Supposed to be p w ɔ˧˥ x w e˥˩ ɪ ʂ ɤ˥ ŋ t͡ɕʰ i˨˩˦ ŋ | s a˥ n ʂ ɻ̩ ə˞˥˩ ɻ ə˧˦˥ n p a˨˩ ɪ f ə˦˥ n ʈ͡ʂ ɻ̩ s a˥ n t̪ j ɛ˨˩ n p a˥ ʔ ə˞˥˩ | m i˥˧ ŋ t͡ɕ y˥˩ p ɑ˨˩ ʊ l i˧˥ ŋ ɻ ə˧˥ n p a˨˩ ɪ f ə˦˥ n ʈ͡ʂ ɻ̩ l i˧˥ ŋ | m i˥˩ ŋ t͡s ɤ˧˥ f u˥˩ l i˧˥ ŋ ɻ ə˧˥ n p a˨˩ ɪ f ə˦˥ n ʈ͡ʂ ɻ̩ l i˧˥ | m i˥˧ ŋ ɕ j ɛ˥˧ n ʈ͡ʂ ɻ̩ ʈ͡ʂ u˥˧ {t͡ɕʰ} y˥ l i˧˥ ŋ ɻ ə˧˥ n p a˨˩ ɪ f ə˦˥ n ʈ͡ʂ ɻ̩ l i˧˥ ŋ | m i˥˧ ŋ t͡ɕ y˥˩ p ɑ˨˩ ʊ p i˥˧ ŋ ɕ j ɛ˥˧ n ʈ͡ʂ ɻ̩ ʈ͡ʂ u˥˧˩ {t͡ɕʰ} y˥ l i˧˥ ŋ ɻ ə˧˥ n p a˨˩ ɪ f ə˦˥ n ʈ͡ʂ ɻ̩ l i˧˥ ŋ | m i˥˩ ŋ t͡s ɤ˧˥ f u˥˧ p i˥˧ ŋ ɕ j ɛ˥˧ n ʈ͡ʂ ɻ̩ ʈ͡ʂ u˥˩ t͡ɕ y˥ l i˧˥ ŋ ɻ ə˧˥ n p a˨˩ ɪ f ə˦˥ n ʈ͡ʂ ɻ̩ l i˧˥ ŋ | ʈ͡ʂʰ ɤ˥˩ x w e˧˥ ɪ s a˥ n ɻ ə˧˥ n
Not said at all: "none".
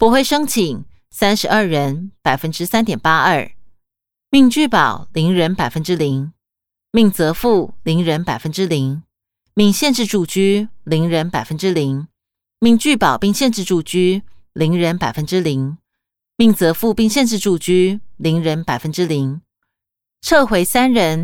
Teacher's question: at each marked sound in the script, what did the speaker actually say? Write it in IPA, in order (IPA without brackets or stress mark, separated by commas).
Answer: t͡ɕ, t͡ɕ